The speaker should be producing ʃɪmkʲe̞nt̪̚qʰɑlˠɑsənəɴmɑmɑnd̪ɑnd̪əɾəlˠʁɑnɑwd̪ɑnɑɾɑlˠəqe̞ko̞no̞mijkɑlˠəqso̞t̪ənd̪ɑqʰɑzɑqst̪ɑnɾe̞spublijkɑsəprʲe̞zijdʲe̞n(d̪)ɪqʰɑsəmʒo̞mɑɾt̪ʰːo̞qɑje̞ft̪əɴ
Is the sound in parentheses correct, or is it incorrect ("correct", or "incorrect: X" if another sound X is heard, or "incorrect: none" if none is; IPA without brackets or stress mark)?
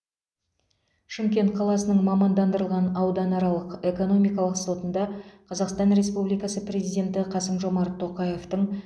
incorrect: t̪